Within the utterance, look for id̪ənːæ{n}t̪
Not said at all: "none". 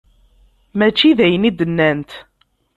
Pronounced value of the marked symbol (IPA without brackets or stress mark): n